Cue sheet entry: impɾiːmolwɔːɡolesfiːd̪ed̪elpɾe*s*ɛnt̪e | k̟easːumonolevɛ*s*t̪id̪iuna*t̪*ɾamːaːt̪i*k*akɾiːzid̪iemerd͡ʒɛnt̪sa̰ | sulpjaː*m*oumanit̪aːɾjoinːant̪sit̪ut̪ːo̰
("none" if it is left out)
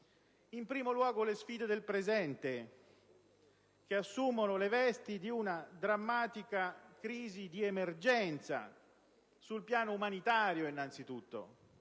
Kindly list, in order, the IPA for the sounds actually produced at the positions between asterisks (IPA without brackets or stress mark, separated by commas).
z, s, d̪, k, n